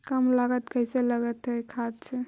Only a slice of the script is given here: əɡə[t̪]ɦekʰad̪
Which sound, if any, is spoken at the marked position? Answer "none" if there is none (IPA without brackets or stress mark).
t̪